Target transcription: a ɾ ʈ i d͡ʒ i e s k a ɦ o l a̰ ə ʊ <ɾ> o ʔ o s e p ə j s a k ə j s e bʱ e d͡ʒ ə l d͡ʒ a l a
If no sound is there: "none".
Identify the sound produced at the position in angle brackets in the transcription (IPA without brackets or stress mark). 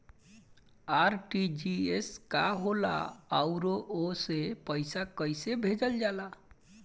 ɾ